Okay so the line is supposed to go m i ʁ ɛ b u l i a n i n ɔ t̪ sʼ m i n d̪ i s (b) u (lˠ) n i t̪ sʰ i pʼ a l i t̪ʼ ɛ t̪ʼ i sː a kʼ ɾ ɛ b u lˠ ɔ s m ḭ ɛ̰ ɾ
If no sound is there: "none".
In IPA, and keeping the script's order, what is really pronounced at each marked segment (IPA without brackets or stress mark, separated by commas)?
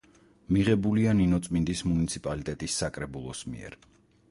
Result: m, none